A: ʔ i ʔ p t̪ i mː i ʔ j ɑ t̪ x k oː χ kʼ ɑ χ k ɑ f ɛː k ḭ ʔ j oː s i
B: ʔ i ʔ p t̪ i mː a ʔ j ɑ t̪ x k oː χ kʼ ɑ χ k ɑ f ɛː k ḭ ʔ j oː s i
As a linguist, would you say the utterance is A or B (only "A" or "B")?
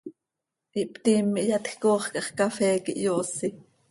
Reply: A